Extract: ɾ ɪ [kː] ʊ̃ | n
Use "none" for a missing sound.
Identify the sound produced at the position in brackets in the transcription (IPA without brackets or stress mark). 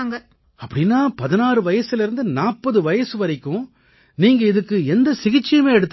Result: kː